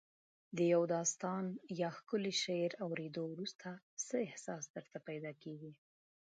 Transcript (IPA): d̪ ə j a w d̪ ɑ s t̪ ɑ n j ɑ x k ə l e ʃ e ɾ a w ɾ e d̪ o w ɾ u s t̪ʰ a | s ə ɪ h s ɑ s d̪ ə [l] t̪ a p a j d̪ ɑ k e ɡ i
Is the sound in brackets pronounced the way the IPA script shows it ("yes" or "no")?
no